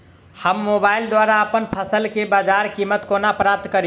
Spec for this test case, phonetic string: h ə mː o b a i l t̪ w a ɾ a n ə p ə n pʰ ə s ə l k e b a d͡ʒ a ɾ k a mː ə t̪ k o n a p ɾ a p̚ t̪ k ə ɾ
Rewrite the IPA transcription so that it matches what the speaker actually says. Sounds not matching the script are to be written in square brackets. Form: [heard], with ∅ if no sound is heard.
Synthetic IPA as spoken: h ə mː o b a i l [d̪] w a ɾ a [∅] ə p ə n pʰ ə s ə l k e b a d͡ʒ a ɾ k [i] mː ə t̪ k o n a p ɾ a p̚ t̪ k ə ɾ